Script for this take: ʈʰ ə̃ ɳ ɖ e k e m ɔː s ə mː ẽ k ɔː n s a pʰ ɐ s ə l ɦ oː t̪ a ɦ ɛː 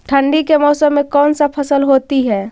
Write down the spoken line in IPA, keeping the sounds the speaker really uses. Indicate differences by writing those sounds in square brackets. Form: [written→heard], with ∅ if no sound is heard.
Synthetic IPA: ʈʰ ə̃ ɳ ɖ [e→i] k e m ɔː s ə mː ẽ k ɔː n s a pʰ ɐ s ə l ɦ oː t̪ [a→i] ɦ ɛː